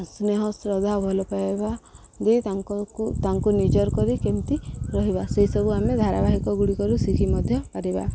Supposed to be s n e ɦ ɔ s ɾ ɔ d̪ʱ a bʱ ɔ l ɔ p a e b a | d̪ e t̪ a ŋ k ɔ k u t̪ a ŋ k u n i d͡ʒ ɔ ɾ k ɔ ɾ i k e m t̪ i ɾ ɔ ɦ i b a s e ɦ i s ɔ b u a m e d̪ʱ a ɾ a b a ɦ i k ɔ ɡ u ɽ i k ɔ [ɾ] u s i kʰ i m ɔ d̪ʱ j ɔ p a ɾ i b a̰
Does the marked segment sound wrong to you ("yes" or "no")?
no